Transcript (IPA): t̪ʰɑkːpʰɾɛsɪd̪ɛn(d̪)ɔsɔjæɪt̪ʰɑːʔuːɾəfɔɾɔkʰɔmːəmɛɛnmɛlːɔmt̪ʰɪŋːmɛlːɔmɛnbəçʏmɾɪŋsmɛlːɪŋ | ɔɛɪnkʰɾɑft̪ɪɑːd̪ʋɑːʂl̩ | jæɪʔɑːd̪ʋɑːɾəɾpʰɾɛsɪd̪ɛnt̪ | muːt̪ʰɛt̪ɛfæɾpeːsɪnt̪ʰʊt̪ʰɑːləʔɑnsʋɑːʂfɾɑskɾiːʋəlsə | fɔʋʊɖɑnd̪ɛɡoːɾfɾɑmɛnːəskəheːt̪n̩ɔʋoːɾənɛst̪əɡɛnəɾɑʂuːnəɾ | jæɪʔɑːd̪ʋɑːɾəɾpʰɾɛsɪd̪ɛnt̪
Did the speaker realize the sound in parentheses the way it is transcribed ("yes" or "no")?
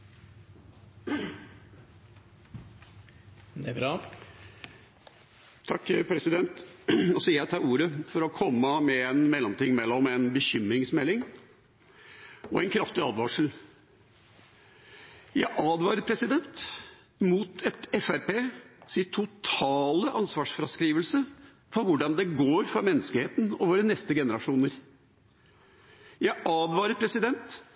no